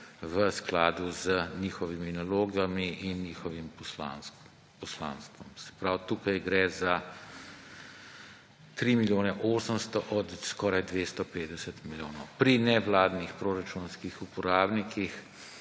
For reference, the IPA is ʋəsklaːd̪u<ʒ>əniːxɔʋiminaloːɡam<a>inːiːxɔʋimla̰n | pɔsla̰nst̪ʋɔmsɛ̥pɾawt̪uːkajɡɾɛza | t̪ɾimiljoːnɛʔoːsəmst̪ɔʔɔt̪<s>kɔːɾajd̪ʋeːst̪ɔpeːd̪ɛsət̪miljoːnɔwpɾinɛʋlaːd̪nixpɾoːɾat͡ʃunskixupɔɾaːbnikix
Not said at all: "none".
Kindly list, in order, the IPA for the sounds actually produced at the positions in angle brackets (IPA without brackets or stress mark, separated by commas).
z, i, s